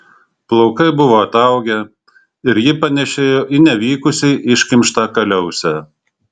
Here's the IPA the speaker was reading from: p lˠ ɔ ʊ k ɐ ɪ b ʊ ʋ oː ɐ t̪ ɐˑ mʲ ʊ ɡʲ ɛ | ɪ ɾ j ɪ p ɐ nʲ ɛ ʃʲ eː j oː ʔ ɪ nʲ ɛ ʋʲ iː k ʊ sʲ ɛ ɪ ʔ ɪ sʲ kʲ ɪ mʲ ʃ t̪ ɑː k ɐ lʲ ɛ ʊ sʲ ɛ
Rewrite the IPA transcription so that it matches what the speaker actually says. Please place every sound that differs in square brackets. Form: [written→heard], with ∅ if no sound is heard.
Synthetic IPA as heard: p lˠ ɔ ʊ k ɐ ɪ b ʊ ʋ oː ɐ t̪ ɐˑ [mʲ→∅] ʊ ɡʲ ɛ | ɪ ɾ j ɪ p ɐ nʲ ɛ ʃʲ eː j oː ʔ ɪ nʲ ɛ ʋʲ iː k ʊ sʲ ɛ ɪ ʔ ɪ [sʲ→ʃʲ] kʲ ɪ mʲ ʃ t̪ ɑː k ɐ lʲ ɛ ʊ sʲ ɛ